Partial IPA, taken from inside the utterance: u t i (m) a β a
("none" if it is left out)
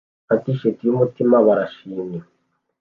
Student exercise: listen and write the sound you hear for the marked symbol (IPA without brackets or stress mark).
m